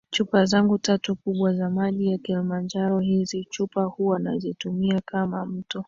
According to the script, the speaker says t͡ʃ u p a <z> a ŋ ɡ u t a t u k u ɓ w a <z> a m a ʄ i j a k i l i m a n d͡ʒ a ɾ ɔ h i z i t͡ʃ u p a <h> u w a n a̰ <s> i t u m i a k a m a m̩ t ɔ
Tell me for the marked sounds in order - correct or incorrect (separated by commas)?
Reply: correct, correct, correct, incorrect